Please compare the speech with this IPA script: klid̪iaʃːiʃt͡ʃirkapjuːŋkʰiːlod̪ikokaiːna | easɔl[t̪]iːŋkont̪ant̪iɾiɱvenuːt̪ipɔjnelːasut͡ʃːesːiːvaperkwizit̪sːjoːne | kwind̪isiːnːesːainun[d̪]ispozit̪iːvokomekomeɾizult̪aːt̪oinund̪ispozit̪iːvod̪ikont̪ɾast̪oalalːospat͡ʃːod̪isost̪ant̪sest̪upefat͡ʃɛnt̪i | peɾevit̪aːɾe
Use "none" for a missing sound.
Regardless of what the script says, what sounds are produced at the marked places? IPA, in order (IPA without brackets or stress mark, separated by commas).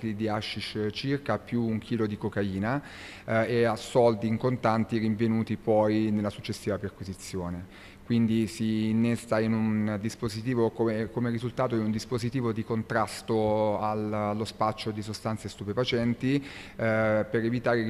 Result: d̪, d̪